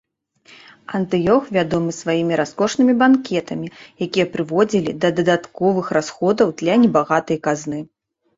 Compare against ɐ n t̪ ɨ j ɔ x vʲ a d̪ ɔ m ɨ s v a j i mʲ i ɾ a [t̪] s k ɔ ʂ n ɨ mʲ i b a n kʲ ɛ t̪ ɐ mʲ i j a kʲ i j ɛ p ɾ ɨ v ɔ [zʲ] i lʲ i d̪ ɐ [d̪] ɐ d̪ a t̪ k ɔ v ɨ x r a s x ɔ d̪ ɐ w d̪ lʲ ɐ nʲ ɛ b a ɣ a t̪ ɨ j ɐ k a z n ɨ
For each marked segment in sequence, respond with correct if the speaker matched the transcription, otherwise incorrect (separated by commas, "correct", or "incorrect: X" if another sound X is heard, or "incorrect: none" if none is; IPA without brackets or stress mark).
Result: incorrect: none, incorrect: d͡zʲ, correct